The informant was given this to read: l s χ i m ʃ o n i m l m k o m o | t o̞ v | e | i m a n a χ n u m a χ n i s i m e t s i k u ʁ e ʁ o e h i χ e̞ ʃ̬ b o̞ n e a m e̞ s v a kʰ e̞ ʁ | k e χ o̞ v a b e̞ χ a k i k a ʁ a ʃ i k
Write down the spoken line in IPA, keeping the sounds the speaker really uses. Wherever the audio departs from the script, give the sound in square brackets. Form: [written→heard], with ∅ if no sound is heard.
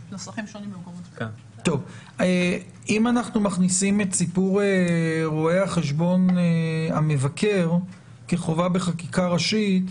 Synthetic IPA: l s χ i m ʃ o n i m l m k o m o | t o̞ v | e | i m a n a χ n u m a χ n i s i m e t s i [k→p] u ʁ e ʁ o e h [i→a] χ e̞ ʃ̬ b o̞ n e a m e̞ [s→∅] v a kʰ e̞ ʁ | k e χ o̞ v a b e̞ χ a k i k a ʁ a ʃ i [k→t]

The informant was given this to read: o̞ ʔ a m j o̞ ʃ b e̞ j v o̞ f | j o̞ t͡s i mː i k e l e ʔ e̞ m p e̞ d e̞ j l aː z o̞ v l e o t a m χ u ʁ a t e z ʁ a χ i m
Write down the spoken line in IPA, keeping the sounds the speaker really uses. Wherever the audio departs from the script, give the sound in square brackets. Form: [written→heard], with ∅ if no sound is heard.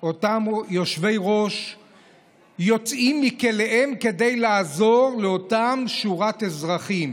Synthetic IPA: o̞ [ʔ→t] a m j o̞ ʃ [b→v] e̞ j [v→ʁ] o̞ [f→ʃ] | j o̞ t͡s i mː i k e l e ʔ e̞ m [p→k] e̞ d e̞ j l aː z o̞ [v→ʁ] l e o t a m [χ→ʃ] u ʁ a t e z ʁ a χ i m

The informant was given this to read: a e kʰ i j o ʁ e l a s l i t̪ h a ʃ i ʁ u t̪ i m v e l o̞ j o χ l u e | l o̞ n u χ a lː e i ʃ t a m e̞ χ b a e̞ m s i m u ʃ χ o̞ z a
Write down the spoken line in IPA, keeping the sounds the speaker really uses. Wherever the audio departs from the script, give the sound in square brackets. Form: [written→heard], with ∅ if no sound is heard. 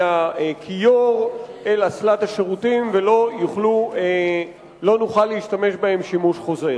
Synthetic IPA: a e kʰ i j o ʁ e l a s l [i→a] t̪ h a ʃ [i→e] ʁ u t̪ i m v e l o̞ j [o→u] χ l u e | l o̞ n u χ a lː e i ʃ t a m e̞ [χ→ʃ] b a e̞ m [s→ʃ] i m u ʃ χ o̞ z [a→e]

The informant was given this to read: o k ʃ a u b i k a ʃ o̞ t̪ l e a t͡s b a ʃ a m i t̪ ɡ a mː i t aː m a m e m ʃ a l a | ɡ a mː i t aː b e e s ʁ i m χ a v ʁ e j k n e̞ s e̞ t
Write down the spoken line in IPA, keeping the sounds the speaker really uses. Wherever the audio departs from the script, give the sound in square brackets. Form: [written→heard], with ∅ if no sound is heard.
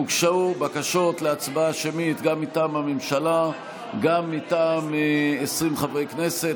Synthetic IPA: [o→u] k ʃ a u b [i→a] k a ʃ o̞ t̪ l e a t͡s b a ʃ [a→e] m i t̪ ɡ a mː i t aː m a m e m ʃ a l a | ɡ a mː i t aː [b→m] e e s ʁ i m χ a v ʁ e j k n e̞ s e̞ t

